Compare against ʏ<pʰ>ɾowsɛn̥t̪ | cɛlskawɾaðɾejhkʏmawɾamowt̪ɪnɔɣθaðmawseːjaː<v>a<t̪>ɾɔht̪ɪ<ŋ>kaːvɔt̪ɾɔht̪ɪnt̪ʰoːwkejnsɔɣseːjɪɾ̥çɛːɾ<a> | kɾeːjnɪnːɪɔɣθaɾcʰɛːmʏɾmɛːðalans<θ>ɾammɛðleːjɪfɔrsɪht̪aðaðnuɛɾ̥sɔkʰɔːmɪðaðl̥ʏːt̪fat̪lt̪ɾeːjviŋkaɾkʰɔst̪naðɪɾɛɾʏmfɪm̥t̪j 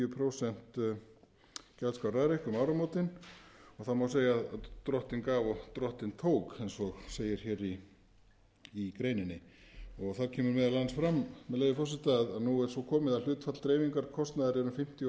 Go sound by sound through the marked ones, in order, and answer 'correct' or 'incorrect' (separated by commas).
correct, incorrect, correct, incorrect, incorrect, incorrect